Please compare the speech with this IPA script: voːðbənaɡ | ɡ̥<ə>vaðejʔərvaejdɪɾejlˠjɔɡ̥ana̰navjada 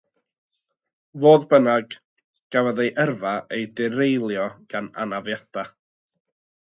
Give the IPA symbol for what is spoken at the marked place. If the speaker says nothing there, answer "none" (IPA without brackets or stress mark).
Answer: a